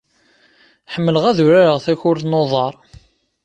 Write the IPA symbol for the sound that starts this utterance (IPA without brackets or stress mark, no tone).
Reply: ħ